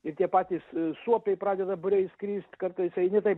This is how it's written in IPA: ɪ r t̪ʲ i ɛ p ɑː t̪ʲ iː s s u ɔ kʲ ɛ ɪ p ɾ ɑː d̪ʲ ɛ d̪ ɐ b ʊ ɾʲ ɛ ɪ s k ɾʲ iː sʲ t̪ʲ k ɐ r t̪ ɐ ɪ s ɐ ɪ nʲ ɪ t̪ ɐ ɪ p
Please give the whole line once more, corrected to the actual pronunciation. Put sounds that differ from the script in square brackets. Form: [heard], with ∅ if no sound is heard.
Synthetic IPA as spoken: ɪ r t̪ʲ i ɛ p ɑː t̪ʲ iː s s u ɔ [pʲ] ɛ ɪ p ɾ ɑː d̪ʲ ɛ d̪ ɐ b ʊ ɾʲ ɛ ɪ s k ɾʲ iː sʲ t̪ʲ k ɐ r t̪ ɐ ɪ s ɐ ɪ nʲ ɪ t̪ ɐ ɪ p